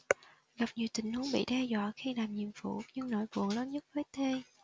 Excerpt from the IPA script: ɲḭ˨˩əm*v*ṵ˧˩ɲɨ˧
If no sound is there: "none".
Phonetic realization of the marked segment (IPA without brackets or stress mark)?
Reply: f